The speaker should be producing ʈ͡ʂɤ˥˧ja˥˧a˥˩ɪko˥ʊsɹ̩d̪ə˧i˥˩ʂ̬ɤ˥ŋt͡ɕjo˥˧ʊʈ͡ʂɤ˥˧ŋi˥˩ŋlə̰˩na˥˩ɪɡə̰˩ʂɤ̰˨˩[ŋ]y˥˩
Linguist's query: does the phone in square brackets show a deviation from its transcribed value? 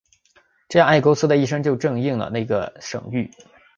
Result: no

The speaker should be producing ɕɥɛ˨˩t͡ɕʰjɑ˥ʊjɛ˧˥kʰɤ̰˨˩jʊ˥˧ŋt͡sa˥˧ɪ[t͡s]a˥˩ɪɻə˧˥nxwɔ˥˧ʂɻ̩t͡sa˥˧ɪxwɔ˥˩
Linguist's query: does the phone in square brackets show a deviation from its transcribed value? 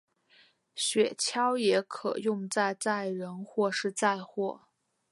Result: no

